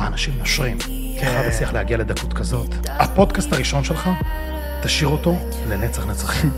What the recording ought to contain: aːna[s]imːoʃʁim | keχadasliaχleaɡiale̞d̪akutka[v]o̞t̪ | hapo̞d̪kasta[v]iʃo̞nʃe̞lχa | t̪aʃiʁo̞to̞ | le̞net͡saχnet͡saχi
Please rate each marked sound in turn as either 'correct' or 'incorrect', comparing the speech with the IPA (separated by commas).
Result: incorrect, incorrect, incorrect